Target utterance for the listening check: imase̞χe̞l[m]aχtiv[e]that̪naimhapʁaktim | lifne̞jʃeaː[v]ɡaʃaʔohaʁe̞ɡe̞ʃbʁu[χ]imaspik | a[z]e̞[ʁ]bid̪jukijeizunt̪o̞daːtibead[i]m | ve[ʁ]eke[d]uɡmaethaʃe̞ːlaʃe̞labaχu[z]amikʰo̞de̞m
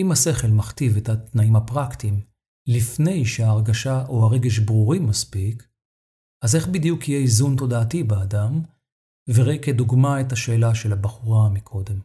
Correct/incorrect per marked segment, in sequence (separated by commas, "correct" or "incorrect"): correct, correct, incorrect, incorrect, correct, incorrect, incorrect, correct, correct, incorrect